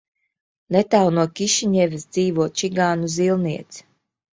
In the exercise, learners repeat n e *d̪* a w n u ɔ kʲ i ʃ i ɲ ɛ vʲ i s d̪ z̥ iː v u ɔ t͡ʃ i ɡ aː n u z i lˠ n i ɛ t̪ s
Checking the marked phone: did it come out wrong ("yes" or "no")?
yes